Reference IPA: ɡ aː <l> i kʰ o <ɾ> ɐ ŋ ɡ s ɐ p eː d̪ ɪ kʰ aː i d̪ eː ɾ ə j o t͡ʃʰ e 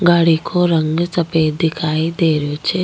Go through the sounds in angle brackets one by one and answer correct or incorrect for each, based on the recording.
incorrect: ɽ, correct

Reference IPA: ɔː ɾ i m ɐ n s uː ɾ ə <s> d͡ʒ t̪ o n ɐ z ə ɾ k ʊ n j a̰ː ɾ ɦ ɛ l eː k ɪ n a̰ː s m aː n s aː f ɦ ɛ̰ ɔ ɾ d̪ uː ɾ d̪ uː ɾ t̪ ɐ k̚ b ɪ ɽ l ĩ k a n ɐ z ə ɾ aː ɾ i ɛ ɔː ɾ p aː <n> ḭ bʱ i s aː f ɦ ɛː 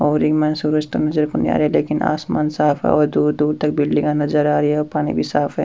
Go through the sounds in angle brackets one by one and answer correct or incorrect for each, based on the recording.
incorrect: none, correct

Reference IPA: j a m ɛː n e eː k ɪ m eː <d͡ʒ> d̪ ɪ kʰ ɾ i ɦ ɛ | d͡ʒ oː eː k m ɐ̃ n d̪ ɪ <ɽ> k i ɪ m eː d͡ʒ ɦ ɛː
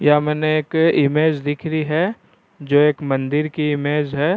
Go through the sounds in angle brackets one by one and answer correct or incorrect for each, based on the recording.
correct, incorrect: ɾ

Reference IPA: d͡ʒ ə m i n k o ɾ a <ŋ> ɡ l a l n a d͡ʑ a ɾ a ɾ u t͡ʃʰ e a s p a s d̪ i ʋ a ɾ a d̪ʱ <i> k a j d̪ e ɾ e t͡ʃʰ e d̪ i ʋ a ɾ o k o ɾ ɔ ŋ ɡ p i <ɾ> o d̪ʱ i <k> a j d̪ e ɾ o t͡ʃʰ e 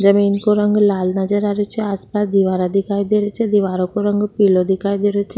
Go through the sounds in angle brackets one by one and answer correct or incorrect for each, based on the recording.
correct, correct, incorrect: l, correct

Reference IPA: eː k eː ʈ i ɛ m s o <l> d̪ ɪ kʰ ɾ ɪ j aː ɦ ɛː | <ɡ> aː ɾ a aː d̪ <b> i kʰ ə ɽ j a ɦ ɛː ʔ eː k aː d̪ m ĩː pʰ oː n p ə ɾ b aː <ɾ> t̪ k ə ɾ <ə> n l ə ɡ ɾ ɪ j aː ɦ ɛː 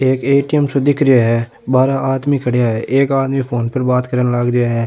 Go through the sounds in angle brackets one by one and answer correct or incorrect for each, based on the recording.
incorrect: none, incorrect: b, incorrect: m, incorrect: none, correct

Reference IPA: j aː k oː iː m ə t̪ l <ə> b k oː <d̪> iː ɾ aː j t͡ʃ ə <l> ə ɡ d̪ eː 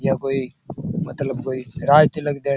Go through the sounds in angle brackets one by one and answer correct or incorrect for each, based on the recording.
correct, incorrect: none, correct

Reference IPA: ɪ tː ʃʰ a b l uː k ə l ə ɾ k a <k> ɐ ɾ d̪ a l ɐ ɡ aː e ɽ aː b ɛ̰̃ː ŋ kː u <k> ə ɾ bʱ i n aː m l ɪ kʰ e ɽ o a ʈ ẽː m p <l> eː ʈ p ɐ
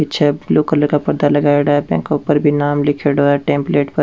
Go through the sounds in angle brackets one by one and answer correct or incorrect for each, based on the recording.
incorrect: p, incorrect: p, correct

